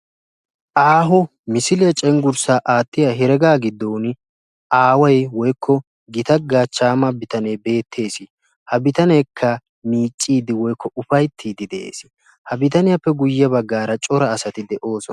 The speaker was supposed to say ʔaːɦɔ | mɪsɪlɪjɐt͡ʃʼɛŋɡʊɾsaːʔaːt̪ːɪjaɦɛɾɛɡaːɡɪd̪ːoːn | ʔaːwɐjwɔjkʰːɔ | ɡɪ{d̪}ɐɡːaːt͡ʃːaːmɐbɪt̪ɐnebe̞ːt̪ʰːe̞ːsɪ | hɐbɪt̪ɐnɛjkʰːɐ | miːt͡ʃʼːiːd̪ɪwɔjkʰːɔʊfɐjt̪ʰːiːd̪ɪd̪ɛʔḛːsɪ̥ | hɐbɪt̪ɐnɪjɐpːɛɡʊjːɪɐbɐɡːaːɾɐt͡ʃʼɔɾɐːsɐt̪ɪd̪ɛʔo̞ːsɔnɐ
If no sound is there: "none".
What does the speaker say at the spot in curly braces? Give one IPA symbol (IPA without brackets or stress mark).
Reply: t̪